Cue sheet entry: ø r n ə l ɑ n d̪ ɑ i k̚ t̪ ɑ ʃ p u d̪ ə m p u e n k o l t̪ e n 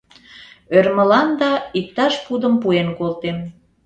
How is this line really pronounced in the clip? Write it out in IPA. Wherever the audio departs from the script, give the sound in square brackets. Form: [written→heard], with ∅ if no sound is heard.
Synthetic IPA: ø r [n→m] ə l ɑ n d̪ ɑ i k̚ t̪ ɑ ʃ p u d̪ ə m p u e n k o l t̪ e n